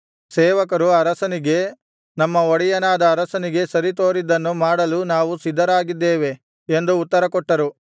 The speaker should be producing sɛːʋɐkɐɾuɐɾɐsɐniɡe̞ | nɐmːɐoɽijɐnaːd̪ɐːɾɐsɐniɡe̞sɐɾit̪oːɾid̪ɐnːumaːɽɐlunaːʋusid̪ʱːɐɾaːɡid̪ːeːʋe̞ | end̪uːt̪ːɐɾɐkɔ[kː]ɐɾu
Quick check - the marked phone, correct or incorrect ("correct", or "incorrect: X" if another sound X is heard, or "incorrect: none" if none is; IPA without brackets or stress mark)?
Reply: incorrect: ʈː